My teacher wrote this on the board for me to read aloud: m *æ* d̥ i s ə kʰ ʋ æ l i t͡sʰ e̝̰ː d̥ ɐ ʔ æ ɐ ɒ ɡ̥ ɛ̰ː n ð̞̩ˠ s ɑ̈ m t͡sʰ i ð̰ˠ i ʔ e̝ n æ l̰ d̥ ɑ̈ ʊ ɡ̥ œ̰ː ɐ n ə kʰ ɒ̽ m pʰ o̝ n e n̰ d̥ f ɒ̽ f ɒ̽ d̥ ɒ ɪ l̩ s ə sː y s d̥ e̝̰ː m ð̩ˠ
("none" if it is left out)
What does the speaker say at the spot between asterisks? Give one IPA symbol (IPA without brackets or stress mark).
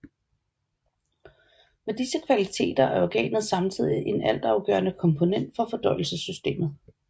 e